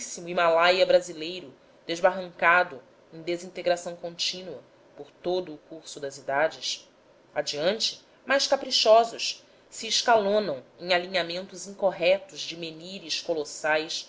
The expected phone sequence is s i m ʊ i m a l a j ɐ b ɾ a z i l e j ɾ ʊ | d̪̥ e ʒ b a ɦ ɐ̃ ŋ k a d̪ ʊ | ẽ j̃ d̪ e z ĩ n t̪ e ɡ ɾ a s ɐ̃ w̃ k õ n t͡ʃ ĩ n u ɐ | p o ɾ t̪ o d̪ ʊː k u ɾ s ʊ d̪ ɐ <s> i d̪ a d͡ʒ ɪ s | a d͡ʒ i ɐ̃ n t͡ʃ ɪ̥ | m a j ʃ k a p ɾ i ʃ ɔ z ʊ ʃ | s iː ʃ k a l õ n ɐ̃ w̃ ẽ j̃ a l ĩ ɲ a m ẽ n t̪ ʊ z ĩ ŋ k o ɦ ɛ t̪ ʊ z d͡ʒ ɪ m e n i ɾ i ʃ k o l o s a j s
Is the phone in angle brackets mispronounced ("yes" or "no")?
yes